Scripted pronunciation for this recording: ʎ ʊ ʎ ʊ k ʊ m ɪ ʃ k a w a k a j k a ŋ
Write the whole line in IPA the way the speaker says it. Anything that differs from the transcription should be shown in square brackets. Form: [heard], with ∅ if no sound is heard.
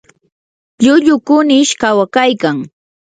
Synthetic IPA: ʎ ʊ ʎ ʊ k ʊ [n] ɪ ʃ k a w a k a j k a ŋ